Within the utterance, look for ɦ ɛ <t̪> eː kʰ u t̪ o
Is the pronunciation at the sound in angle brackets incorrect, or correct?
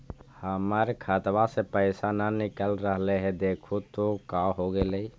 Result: incorrect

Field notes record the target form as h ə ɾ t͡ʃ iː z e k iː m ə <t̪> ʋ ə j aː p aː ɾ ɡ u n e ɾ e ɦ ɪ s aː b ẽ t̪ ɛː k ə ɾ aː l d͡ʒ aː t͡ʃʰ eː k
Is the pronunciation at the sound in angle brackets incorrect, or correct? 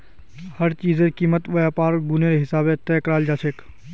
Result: correct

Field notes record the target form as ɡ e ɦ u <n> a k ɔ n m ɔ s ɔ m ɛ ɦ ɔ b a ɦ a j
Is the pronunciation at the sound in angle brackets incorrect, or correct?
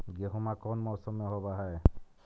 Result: incorrect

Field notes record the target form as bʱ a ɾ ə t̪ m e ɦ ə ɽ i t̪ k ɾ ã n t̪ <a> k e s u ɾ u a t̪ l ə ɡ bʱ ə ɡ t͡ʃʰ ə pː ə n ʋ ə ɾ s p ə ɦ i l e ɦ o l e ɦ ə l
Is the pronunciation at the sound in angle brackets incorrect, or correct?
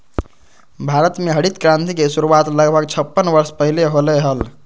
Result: incorrect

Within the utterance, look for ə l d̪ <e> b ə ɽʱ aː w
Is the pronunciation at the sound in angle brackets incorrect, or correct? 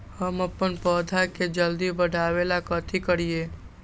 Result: incorrect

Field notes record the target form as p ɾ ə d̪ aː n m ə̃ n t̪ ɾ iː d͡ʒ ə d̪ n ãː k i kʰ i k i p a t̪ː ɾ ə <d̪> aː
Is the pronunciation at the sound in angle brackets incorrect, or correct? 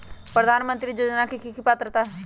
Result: incorrect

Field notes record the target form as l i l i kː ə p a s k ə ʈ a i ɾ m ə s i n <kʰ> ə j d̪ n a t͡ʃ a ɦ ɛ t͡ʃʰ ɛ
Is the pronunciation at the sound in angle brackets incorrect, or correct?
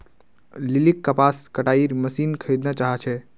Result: correct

